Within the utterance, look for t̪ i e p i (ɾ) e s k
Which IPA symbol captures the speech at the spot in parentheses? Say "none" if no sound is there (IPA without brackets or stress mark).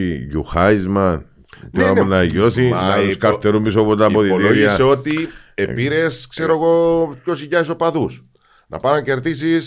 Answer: ɾ